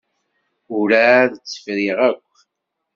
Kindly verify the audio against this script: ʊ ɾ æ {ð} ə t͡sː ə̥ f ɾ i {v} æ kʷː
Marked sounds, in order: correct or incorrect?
correct, incorrect: ʁ

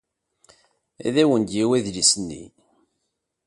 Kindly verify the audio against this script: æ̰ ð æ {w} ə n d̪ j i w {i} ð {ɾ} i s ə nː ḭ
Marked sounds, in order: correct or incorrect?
correct, incorrect: æ, incorrect: l

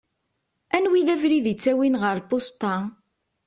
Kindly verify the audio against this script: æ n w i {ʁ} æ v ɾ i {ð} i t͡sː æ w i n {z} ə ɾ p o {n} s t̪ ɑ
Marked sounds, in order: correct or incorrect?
incorrect: ð, correct, incorrect: ʁ, incorrect: none

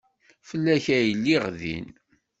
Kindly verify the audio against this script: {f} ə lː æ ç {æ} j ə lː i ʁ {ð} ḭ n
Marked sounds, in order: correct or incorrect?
correct, correct, correct

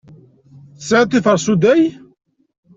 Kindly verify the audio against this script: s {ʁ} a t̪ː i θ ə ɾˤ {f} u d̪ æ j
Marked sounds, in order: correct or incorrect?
incorrect: ʕ, incorrect: s

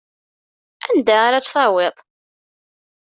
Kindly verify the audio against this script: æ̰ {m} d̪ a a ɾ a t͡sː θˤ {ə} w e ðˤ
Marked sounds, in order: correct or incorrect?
incorrect: n, incorrect: ɑ

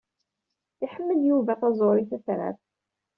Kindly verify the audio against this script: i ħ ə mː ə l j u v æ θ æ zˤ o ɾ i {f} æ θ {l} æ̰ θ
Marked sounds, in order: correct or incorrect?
incorrect: θ, incorrect: ɾ

